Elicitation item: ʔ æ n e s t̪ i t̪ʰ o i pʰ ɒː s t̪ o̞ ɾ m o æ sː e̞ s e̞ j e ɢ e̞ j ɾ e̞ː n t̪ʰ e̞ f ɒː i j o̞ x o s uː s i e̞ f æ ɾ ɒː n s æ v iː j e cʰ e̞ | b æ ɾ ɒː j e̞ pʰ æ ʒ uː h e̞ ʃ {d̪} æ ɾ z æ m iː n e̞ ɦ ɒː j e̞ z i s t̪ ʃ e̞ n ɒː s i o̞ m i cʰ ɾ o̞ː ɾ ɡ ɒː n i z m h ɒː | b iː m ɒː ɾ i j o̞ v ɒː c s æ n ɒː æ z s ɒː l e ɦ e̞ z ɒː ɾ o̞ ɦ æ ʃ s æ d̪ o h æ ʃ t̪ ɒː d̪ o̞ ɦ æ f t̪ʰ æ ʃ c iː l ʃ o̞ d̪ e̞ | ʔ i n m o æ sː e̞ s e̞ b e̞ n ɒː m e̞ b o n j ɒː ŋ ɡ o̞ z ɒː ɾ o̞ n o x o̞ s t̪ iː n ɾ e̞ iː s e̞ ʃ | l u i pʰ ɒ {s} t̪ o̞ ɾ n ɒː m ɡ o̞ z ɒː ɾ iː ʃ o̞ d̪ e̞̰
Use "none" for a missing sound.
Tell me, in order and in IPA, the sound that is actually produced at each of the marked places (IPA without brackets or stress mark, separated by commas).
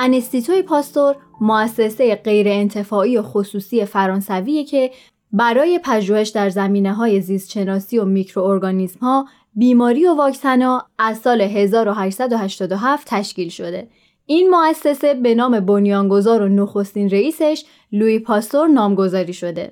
d̪, s